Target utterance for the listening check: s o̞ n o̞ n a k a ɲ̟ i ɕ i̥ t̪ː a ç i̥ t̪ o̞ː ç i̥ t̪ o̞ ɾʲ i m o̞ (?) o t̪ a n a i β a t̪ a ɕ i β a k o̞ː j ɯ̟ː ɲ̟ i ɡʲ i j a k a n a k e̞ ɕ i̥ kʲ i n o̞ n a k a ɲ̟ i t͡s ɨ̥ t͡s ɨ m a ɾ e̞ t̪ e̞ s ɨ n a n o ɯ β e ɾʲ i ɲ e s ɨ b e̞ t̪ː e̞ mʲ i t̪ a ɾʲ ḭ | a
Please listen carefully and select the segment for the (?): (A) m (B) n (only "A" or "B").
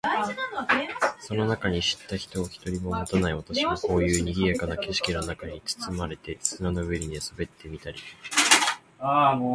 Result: A